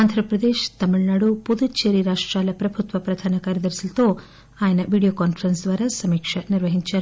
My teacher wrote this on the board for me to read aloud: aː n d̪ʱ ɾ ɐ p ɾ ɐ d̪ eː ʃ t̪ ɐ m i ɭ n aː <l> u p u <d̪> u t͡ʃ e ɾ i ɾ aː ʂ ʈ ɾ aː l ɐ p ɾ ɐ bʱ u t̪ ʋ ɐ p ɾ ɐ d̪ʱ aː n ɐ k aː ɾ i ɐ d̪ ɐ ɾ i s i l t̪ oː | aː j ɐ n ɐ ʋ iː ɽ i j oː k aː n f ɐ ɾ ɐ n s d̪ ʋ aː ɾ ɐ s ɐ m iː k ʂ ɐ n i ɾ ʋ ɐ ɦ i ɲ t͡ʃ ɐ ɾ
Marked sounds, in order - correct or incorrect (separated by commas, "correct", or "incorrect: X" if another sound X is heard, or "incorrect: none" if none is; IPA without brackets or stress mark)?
incorrect: ɽ, correct